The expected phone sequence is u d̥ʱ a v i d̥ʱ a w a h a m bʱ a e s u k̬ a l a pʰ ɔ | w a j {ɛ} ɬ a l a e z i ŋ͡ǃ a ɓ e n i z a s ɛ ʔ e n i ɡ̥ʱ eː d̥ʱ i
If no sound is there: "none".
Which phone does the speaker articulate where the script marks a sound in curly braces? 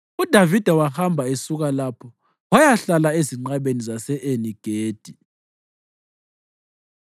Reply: a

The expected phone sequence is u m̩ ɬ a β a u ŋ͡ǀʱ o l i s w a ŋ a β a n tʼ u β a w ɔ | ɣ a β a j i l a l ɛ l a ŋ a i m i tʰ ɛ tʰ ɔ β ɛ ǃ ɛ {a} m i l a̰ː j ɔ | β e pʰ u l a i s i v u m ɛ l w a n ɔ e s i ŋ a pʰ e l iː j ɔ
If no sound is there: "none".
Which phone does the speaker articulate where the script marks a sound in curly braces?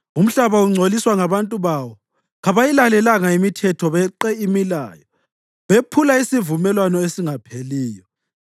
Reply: i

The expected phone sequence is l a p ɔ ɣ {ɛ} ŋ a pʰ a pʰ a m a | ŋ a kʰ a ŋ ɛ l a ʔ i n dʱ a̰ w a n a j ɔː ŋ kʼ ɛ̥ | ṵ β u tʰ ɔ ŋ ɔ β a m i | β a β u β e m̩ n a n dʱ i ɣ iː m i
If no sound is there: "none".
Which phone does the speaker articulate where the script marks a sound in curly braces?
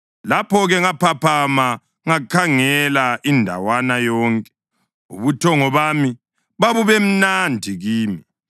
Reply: ɛ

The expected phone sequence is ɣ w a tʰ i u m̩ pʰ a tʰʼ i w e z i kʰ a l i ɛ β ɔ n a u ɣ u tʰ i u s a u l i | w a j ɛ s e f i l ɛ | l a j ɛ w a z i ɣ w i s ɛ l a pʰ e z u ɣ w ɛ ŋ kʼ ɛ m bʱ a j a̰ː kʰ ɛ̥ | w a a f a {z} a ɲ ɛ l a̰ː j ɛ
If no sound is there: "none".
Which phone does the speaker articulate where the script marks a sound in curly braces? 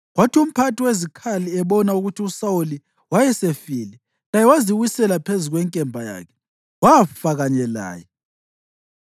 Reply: ɣ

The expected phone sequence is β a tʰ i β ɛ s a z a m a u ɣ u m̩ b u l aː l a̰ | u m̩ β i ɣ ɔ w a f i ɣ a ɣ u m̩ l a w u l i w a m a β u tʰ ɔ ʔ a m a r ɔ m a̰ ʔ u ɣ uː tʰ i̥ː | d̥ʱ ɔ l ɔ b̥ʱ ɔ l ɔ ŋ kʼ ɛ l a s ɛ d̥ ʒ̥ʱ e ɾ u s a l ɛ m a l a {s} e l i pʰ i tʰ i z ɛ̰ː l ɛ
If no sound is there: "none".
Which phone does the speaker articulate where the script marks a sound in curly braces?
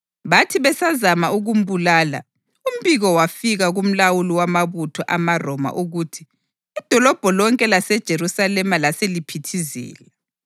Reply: s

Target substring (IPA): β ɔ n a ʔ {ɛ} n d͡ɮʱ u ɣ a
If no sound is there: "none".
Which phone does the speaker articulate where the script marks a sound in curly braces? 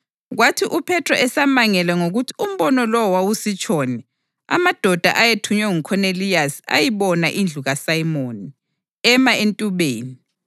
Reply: i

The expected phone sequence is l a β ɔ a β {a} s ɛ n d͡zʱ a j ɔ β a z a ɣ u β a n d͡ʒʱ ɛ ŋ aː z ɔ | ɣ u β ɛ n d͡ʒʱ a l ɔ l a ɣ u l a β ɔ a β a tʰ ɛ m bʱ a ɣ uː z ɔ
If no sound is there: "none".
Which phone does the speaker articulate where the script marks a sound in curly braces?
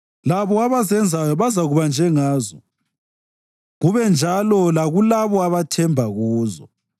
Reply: a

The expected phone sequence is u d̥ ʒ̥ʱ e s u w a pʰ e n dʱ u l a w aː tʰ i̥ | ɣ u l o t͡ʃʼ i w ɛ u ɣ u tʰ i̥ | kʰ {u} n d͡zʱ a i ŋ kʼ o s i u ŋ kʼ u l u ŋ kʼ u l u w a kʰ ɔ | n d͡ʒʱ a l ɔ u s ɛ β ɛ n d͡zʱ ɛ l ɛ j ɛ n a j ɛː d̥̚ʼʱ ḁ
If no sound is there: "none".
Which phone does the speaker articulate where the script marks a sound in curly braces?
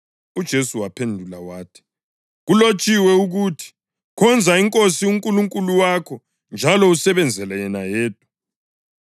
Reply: ɔ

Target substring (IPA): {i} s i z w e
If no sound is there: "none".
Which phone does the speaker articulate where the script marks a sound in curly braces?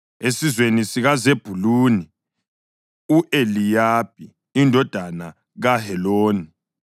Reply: e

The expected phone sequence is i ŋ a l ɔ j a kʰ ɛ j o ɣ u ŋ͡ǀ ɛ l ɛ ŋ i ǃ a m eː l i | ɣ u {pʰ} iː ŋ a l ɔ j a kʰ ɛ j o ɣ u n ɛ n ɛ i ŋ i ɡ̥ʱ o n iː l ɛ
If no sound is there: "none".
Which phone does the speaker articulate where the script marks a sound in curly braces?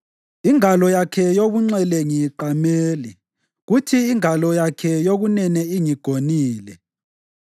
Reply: tʰ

